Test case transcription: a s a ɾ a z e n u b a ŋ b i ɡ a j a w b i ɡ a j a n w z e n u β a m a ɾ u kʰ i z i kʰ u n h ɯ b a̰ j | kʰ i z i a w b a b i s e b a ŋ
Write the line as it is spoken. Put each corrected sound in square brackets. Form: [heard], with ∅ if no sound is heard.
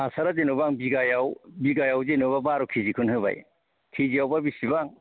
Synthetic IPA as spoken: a s a ɾ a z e n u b a ŋ b i ɡ a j a w b i ɡ a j a [∅] w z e n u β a [b] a ɾ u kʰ i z i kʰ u n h ɯ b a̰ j | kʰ i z i a w b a b i s [i] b a ŋ